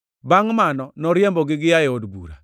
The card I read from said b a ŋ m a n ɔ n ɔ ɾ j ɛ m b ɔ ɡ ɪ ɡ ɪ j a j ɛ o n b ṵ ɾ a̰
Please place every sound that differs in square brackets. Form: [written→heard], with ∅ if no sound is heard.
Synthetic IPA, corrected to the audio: b a ŋ m a n ɔ n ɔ ɾ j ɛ m b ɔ ɡ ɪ ɡ ɪ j a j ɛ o [n→d] b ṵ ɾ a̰